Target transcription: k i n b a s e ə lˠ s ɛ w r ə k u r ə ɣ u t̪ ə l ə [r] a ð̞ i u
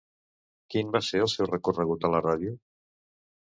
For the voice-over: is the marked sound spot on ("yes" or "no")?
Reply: yes